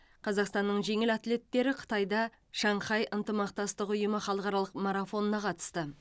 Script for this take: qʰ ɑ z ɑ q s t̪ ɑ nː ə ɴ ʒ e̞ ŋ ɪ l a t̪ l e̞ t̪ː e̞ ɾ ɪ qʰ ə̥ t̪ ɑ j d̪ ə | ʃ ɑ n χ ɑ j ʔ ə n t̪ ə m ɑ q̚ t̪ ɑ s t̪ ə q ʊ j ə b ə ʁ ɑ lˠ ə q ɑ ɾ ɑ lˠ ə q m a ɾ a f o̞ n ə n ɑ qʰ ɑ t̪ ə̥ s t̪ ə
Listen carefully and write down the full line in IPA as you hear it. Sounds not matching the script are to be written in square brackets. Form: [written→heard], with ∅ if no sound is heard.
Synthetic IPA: qʰ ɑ z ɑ q s t̪ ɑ nː ə ɴ ʒ e̞ ŋ ɪ l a t̪ l e̞ t̪ː e̞ ɾ ɪ qʰ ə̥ t̪ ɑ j d̪ [ə→ɑ] | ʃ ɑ [n→ɴ] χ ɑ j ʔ ə n t̪ ə m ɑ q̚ t̪ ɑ s t̪ ə q ʊ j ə [b→m] ə [ʁ→χ] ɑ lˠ ə q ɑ ɾ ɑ lˠ ə q m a ɾ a f o̞ n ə n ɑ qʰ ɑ t̪ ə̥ s t̪ ə